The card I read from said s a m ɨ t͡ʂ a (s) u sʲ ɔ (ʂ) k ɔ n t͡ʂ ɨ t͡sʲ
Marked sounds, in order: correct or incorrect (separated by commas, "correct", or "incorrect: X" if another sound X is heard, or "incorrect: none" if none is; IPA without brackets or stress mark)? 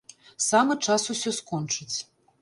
correct, incorrect: s